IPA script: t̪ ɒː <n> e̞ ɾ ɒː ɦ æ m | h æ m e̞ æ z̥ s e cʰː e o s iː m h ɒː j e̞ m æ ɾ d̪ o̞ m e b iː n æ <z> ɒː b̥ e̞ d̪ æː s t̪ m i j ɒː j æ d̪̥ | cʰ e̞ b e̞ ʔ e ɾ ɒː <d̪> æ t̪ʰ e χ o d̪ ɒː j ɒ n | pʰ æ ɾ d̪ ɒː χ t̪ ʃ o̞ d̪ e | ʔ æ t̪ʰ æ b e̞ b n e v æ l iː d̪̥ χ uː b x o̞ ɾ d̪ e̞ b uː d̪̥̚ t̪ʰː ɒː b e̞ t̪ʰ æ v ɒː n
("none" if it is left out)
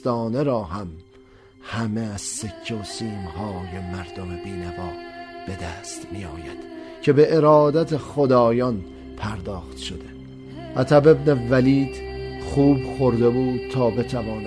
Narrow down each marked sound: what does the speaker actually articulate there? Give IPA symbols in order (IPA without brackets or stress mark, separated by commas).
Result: n, v, d̪